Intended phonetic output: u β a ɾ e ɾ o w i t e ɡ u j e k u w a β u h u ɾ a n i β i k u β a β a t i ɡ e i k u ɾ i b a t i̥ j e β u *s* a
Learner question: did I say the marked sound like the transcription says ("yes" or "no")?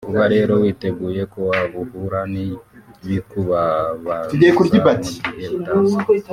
no